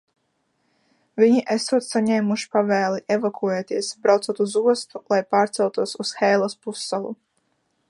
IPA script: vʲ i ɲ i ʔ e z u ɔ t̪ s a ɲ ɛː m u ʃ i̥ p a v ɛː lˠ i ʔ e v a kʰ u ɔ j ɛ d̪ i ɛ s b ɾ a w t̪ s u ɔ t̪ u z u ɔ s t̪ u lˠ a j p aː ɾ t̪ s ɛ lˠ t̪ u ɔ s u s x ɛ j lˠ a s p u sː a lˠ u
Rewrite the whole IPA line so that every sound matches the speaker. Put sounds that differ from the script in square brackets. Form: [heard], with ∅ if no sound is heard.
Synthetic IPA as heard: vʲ i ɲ i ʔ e [s] u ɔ t̪ s a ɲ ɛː m u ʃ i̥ p a v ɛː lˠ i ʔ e v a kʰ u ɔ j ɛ [t̪] i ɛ s b ɾ a w t̪ s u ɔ t̪ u z u ɔ s t̪ u lˠ a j p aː ɾ t̪ s ɛ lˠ t̪ u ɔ s u s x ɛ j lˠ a s p u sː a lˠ u